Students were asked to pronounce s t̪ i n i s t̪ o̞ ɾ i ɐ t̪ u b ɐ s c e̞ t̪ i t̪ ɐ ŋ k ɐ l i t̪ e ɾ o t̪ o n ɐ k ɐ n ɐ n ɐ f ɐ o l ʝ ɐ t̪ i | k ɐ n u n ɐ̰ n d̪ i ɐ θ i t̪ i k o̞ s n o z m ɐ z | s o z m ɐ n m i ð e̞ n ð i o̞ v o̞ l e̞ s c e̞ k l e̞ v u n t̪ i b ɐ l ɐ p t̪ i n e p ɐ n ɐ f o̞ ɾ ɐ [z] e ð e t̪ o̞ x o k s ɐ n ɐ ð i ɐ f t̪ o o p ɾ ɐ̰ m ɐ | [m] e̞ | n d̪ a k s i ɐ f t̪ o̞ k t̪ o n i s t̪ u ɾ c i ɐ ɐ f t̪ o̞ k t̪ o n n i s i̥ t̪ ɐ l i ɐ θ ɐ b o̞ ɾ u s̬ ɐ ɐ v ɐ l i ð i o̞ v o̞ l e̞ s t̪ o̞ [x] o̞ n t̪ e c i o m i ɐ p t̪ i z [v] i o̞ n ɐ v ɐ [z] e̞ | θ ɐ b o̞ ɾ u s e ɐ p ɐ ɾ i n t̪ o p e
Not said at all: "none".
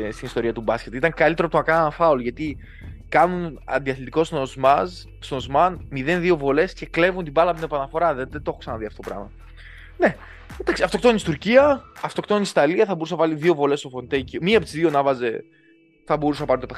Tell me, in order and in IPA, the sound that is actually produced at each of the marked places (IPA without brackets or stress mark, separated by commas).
ð, n, f, ð, z